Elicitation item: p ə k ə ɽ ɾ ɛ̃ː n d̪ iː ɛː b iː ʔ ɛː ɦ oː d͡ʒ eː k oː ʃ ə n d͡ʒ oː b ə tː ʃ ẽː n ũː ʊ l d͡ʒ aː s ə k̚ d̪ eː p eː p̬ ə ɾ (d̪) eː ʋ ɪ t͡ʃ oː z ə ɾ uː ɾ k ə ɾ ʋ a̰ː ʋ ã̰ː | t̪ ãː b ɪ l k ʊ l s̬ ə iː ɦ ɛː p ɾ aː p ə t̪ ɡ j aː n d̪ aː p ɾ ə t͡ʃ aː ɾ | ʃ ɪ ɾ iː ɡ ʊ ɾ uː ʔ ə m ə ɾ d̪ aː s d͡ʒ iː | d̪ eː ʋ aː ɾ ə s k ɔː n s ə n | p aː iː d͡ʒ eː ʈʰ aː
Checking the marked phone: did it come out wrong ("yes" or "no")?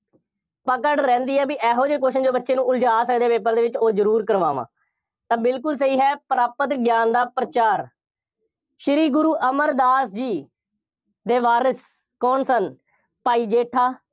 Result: no